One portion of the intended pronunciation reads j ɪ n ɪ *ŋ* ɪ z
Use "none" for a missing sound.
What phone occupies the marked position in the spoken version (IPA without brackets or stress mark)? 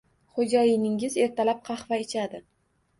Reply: ŋ